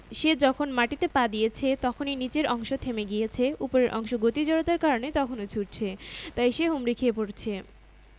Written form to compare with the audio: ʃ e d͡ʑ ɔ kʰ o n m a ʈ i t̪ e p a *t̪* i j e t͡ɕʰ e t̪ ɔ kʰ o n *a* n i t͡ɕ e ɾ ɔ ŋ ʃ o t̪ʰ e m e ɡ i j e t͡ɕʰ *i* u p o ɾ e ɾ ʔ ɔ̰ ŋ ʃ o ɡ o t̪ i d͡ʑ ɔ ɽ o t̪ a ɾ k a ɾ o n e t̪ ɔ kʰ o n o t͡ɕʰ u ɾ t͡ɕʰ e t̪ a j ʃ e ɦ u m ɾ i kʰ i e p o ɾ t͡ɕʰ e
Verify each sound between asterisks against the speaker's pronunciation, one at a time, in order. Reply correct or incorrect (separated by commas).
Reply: incorrect, incorrect, incorrect